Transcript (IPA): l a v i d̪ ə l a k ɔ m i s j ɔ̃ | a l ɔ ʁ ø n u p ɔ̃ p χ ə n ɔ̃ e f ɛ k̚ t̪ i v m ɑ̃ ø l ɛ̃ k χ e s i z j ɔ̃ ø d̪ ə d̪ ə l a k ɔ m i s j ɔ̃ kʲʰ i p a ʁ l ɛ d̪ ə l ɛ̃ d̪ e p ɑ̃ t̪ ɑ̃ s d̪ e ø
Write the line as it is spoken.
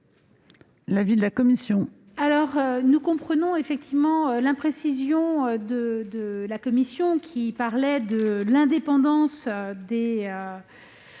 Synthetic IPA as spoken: l a v i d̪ ə l a k ɔ m i s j ɔ̃ | a l ɔ ʁ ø n u k ɔ̃ p χ ə n ɔ̃ e f ɛ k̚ t̪ i v m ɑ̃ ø l ɛ̃ p χ e s i z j ɔ̃ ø d̪ ə d̪ ə l a k ɔ m i s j ɔ̃ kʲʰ i p a ʁ l ɛ d̪ ə l ɛ̃ d̪ e p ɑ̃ d̪ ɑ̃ s d̪ e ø